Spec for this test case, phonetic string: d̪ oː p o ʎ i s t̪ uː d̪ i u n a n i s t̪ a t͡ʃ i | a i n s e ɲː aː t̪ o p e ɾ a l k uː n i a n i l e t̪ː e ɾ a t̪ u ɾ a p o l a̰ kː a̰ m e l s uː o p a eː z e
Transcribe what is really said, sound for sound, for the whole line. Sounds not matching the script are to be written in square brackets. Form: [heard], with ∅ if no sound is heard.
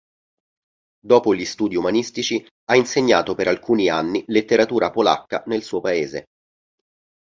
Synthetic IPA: d̪ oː p o ʎ i s t̪ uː d̪ i u [m] a n i s t̪ [i] t͡ʃ i | a i n s e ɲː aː t̪ o p e ɾ a l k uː n i a [nː] i l e t̪ː e ɾ a t̪ [uː] ɾ a p o l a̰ kː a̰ [n] e l s uː o p a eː z e